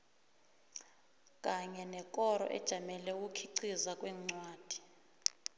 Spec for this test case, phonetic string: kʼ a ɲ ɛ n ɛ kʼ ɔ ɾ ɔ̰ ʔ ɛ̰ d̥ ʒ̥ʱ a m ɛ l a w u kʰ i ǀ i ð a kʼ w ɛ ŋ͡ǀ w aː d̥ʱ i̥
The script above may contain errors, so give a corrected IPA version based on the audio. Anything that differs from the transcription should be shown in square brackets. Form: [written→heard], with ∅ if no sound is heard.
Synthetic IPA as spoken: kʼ a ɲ ɛ n ɛ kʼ ɔ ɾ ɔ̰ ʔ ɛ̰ d̥ ʒ̥ʱ a m ɛ l [a→ɛ] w u kʰ i ǀ i [ð→z] a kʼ w ɛ ŋ͡ǀ w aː d̥ʱ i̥

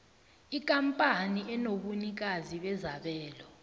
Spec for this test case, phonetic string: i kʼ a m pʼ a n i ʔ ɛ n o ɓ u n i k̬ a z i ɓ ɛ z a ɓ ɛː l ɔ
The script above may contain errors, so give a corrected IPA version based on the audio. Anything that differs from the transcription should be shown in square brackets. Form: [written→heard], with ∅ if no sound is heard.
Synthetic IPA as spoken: i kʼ a m pʼ a n i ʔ ɛ n o ɓ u n i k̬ a z i ɓ ɛ z a ɓ ɛː l ɔ

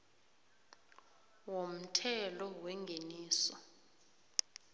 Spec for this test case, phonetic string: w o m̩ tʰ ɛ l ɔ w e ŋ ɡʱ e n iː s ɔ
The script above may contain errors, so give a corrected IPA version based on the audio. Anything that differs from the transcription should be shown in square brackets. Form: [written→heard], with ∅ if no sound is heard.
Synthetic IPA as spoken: w o m̩ tʰ ɛ l ɔ w [e→ɛ] ŋ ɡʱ e n iː s ɔ

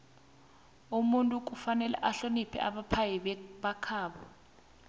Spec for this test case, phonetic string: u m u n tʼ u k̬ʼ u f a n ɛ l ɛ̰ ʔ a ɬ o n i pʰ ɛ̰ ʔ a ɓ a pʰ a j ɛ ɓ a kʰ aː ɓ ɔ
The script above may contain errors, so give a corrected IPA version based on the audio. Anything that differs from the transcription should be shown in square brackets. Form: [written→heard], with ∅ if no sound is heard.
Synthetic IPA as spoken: u m u n tʼ u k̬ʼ u f a n ɛ l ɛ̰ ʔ a ɬ o n i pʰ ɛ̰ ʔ a ɓ a pʰ a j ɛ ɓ a kʰ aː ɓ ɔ

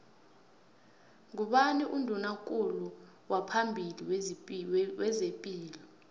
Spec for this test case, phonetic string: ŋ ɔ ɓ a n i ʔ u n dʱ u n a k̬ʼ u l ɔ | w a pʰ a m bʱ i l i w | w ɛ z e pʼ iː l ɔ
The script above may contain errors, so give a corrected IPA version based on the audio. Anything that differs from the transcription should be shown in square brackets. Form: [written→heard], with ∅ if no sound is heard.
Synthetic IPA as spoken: ŋ [ɔ→u] ɓ a n i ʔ u n dʱ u n a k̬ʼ u l [ɔ→u] | w a pʰ a m bʱ i l i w | w ɛ z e pʼ iː l ɔ

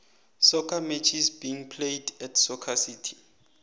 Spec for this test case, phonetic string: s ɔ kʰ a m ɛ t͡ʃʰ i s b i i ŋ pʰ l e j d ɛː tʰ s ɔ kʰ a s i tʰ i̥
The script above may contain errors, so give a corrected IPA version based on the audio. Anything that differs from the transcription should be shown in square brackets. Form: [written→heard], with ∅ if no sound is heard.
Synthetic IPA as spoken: s ɔ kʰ a m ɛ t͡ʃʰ i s b i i ŋ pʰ l e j d [ɛː→ɛ] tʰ s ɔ kʰ a s i tʰ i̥

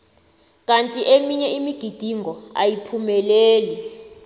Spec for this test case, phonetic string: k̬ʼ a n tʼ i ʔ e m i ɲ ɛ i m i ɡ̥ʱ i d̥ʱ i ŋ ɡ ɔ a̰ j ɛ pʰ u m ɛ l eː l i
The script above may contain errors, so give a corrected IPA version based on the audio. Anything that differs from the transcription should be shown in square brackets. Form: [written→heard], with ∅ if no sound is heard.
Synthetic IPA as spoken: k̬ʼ a n tʼ i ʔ e m i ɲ ɛ i m i ɡ̥ʱ i d̥ʱ i ŋ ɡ ɔ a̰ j [ɛ→i] pʰ u m ɛ l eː l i

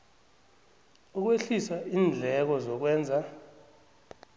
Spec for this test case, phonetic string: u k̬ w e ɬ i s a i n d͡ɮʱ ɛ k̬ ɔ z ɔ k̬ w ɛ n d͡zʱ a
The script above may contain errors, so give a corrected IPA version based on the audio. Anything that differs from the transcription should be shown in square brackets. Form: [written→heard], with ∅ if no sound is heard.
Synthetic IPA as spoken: u k̬ w e ɬ i s a [i→iː] n d͡ɮʱ ɛ k̬ ɔ z ɔ k̬ w [ɛ→ɛː] n d͡zʱ a

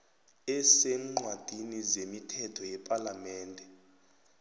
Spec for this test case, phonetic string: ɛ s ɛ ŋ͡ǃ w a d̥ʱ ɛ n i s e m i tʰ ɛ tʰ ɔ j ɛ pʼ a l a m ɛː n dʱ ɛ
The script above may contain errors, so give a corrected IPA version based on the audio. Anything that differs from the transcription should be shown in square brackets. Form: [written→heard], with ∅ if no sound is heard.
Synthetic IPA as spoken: ɛ s ɛ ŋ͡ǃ w a d̥ʱ [ɛ→i] n i [s→z] e m i tʰ ɛ tʰ ɔ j ɛ pʼ a l a m ɛː n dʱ ɛ

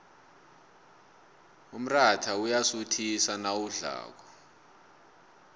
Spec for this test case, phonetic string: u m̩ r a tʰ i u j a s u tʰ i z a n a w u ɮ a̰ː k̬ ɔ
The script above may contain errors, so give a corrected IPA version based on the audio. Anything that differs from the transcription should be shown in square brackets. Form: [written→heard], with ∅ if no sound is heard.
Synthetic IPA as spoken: u m̩ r a tʰ [i→a] u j a s u tʰ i [z→s] a n a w u ɮ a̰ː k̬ ɔ

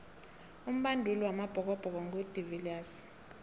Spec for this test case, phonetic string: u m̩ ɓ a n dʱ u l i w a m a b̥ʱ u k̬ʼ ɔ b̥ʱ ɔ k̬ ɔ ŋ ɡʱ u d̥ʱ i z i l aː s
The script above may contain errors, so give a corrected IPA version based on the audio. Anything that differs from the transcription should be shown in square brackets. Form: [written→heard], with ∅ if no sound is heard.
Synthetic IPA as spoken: u m̩ ɓ a n dʱ u l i w a m a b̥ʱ [u→ɔ] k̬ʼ ɔ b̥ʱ ɔ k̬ ɔ ŋ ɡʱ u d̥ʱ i [z→v] i l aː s

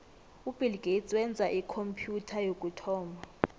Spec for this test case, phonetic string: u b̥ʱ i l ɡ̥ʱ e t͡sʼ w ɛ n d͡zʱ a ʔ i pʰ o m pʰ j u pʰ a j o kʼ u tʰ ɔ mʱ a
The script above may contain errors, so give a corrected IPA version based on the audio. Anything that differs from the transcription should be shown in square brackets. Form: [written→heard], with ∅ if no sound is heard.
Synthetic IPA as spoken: u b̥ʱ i l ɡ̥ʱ e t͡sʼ w ɛ n d͡zʱ a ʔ i [pʰ→kʰ] o m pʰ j u [pʰ→tʰ] a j o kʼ u tʰ [ɔ→ɔː] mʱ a

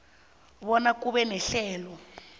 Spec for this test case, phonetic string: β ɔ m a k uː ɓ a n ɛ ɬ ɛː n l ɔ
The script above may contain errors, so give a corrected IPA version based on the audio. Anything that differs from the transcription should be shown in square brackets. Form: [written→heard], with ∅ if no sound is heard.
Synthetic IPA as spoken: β ɔ [m→n] a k [uː→u] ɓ [a→ɛ] n ɛ ɬ ɛː [n→∅] l ɔ

